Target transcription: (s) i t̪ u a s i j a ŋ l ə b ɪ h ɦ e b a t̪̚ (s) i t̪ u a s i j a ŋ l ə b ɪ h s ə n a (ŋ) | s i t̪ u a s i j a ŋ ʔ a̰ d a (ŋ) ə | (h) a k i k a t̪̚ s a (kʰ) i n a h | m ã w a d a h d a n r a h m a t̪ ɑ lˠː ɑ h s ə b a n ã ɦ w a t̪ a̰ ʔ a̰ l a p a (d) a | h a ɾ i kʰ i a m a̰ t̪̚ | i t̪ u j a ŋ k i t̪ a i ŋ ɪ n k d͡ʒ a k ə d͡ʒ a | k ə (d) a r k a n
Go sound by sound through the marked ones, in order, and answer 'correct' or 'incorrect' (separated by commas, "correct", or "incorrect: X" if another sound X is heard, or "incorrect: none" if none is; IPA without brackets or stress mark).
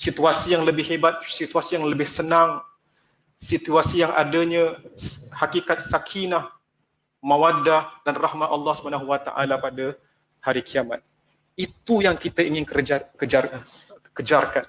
correct, correct, correct, incorrect: ɲ, correct, correct, correct, incorrect: d͡ʒ